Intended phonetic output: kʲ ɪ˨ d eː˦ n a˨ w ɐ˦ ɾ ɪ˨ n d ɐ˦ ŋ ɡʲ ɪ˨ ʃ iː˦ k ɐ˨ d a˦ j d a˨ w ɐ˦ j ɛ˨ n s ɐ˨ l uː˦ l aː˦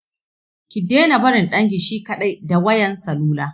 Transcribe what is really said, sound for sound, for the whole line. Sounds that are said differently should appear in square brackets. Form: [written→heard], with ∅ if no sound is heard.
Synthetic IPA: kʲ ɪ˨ d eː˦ n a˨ [w→b] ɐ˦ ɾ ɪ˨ n [d→ɗ] ɐ˦ ŋ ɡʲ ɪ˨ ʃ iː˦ k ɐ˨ [d→ɗ] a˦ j d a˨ w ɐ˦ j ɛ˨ n s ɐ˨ l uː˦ l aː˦